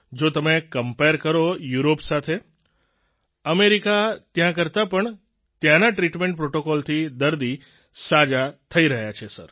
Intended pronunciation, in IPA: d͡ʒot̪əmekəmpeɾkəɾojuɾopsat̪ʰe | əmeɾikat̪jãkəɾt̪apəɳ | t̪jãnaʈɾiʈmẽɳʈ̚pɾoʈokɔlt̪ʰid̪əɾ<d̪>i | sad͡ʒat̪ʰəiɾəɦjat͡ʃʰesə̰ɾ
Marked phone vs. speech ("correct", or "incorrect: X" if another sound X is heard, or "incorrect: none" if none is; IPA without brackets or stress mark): correct